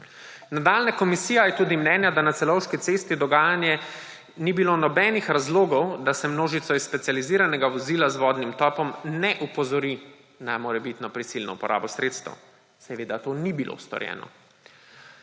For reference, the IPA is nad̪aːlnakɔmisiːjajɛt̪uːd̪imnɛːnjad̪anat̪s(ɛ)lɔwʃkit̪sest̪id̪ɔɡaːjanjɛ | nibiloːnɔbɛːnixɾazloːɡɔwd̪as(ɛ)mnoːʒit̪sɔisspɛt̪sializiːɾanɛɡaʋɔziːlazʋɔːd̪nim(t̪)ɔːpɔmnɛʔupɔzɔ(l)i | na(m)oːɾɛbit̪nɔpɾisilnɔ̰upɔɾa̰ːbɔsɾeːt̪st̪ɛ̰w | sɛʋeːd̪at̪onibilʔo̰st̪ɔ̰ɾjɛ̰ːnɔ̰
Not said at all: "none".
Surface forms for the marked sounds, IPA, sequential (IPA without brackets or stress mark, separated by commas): ɛ, ɛ, t̪, ɾ, m